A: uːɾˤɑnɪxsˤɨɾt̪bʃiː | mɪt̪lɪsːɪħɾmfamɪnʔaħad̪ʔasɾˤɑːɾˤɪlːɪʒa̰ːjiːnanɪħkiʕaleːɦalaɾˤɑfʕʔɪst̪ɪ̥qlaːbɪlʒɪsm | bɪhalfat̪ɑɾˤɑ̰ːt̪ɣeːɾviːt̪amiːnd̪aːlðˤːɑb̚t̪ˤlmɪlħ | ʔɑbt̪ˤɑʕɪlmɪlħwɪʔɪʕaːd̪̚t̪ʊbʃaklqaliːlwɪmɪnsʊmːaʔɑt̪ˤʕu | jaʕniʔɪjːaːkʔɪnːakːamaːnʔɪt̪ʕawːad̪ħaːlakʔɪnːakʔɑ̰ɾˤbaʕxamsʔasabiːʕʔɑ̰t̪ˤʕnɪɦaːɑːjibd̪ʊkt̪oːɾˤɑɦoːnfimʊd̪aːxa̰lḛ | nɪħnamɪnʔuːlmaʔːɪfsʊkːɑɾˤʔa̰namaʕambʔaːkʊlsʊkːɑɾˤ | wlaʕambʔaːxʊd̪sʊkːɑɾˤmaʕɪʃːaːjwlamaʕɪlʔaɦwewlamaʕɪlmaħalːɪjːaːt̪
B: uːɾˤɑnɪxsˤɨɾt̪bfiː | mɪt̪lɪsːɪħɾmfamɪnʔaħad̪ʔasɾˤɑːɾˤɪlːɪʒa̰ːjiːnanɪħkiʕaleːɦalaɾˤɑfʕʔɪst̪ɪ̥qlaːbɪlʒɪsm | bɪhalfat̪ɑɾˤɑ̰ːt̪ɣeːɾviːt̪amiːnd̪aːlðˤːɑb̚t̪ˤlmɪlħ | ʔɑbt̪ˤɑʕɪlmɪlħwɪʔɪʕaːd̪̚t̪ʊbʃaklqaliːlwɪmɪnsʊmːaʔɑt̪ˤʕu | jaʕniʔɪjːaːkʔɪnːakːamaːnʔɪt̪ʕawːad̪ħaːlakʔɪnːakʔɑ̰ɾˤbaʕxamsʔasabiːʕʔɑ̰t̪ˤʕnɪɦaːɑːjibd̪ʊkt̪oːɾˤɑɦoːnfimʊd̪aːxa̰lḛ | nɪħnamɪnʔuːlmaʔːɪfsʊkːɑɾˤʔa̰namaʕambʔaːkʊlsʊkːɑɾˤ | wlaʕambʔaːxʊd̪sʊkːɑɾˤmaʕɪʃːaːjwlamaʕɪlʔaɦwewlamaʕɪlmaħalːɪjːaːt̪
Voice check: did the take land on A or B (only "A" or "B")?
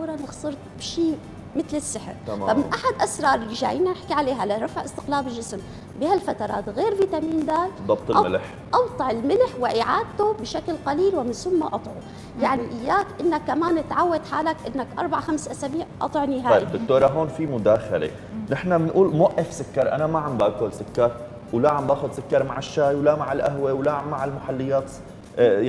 A